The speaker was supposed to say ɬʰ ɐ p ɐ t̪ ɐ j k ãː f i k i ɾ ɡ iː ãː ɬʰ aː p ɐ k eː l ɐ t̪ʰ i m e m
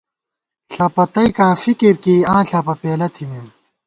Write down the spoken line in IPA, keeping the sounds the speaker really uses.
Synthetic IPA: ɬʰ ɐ p ɐ t̪ ɐ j k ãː f i k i ɾ k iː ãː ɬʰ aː p ɐ p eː l ɐ t̪ʰ i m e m